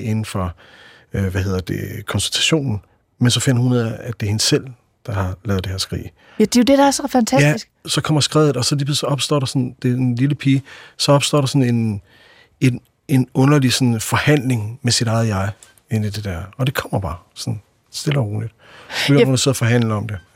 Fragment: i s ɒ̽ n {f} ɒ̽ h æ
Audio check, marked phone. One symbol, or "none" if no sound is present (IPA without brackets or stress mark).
f